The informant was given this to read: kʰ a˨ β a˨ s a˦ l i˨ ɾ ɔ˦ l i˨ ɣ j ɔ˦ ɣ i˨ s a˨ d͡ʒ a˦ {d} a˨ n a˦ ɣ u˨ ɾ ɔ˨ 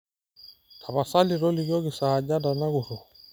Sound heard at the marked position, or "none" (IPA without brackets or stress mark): d